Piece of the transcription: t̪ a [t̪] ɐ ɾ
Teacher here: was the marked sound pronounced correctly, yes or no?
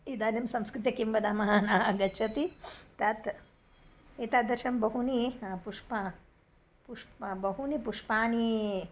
no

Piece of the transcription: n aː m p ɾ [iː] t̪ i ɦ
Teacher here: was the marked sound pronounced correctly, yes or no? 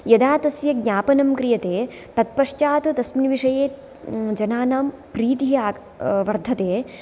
yes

